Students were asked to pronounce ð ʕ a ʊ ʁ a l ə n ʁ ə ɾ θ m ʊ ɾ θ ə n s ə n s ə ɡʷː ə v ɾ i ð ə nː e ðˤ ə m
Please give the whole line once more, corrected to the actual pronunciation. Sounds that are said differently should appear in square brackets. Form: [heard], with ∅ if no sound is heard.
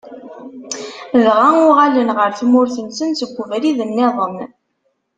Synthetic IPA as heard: ð [ʁ] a ʊ ʁ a l ə n ʁ ə ɾ θ m ʊ ɾ θ ə n s ə n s ə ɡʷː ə v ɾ i ð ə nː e ðˤ ə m